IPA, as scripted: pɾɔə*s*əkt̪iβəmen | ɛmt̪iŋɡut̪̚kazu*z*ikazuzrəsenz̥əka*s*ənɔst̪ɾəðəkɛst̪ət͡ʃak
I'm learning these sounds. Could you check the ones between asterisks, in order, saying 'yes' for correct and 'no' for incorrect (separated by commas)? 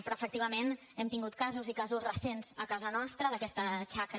no, yes, no